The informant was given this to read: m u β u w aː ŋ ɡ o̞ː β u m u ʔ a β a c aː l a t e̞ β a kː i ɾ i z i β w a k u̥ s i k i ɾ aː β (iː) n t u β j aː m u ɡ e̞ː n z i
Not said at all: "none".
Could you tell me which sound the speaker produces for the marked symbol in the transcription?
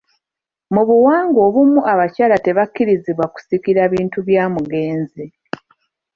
iː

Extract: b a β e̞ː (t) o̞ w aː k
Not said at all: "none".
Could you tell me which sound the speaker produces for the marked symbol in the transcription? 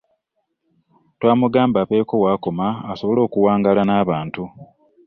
k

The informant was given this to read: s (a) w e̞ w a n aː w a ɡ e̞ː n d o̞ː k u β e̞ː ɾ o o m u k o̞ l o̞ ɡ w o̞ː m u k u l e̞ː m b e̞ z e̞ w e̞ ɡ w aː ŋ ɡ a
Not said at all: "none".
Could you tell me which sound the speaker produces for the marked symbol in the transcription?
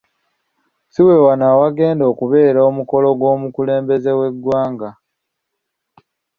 i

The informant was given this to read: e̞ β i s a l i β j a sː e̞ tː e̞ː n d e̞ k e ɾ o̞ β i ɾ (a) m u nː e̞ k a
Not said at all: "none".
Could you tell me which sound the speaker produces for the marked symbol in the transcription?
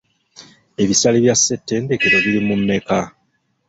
i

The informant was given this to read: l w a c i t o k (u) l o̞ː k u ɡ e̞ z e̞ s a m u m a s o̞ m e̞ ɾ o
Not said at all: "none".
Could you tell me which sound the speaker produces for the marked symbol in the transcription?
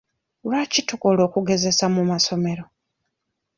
o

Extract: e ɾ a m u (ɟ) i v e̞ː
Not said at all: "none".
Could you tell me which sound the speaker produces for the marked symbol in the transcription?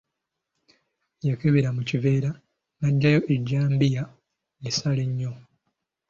c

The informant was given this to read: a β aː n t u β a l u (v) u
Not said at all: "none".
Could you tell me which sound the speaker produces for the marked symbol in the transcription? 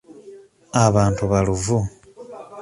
v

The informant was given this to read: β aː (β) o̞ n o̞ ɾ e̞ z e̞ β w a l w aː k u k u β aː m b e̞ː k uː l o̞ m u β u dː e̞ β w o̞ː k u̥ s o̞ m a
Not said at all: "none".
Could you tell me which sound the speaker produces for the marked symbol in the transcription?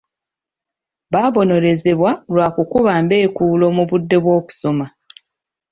β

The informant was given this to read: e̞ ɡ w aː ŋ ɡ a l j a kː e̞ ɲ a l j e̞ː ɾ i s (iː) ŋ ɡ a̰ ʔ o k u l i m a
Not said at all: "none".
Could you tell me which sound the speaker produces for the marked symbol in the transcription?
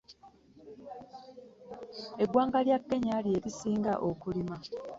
iː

